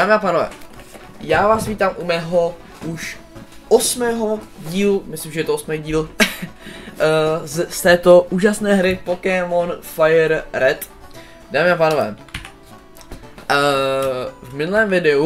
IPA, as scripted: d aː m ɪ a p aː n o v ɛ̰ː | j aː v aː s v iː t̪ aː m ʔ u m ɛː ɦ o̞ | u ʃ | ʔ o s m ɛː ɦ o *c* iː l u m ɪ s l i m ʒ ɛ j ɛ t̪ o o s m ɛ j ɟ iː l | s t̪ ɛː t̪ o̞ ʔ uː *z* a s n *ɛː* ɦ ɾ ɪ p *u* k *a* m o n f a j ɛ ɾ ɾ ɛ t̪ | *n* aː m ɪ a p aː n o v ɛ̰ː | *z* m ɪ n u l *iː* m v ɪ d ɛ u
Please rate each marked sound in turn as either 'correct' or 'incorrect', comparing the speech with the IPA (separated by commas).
incorrect, incorrect, correct, incorrect, incorrect, incorrect, incorrect, incorrect